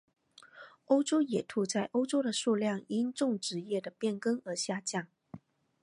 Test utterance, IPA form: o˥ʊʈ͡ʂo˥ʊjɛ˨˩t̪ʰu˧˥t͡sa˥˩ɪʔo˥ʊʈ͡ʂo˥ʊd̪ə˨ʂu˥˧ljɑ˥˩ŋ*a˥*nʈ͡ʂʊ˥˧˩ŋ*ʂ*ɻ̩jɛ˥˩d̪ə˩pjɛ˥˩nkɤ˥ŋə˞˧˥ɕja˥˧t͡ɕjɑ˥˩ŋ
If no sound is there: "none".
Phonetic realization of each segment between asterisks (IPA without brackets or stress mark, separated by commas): i˥, ʈ͡ʂ